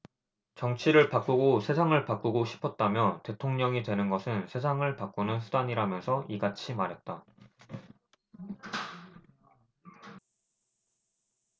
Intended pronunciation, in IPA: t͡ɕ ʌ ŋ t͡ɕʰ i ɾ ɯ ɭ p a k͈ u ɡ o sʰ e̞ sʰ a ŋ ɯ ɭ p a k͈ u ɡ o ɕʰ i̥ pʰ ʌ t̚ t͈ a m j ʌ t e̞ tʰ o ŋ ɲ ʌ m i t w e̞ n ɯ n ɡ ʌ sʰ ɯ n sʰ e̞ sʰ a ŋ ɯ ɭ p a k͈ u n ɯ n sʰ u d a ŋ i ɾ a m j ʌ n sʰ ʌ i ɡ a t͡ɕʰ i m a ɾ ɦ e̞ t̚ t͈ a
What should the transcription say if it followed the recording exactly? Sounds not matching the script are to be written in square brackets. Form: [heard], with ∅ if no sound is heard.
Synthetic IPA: t͡ɕ ʌ ŋ t͡ɕʰ i ɾ ɯ ɭ p a k͈ u ɡ o sʰ e̞ sʰ a ŋ ɯ ɭ p a k͈ u ɡ o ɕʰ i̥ pʰ ʌ t̚ t͈ a m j ʌ t e̞ tʰ o ŋ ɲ ʌ [ŋ] i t w e̞ n ɯ n ɡ ʌ sʰ ɯ n sʰ e̞ sʰ a ŋ ɯ ɭ p a k͈ u n ɯ n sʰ u d a [ɲ] i ɾ a m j ʌ n sʰ ʌ i ɡ a t͡ɕʰ i m a ɾ ɦ e̞ t̚ t͈ a